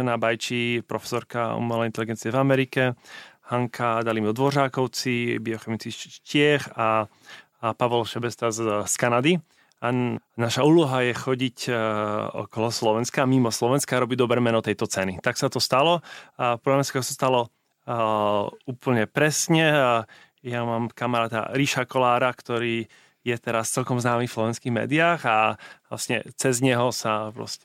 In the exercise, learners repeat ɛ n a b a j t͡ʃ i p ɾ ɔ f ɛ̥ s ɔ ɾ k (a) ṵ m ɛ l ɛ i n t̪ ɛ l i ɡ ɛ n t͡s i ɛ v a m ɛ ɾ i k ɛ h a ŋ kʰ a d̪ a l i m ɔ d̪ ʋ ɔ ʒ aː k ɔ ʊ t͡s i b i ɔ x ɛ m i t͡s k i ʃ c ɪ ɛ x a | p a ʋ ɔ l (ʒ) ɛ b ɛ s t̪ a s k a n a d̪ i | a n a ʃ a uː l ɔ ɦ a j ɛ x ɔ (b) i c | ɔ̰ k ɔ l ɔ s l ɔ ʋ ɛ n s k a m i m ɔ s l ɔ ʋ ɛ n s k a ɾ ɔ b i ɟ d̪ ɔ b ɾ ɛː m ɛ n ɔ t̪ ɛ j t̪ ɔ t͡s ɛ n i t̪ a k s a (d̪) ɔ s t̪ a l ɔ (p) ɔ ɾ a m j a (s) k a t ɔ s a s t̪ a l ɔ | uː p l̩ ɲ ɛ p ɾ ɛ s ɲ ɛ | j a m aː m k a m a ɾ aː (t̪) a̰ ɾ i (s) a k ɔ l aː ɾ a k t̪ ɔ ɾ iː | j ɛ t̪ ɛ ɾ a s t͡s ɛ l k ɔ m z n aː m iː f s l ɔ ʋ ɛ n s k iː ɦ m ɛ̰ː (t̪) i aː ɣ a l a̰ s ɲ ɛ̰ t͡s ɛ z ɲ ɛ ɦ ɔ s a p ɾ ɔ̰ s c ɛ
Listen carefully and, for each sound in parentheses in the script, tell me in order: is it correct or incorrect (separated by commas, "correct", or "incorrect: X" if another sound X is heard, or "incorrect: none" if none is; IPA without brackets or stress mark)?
correct, incorrect: ʃ, incorrect: ɟ, incorrect: t̪, correct, correct, correct, incorrect: ʃ, incorrect: d̪